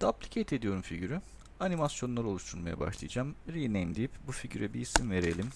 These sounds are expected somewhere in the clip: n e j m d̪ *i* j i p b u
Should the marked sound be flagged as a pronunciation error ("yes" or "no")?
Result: no